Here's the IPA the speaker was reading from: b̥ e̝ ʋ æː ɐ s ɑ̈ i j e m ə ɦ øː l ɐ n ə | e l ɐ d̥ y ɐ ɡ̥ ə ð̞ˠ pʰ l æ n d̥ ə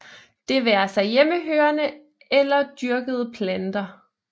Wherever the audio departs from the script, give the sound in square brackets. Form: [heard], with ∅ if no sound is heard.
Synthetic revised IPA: [d̥] e̝ ʋ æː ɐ s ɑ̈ [ɪ] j e m ə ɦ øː [∅] ɐ n ə | e l ɐ d̥ y ɐ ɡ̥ ə ð̞ˠ pʰ l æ n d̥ [ɐ]